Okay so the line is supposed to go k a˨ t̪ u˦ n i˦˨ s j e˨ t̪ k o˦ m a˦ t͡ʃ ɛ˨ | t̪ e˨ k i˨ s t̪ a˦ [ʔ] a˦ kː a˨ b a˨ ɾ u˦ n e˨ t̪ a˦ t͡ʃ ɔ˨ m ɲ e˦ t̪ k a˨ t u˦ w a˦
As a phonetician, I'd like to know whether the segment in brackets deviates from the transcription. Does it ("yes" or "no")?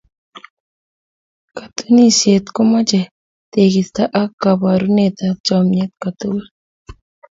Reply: no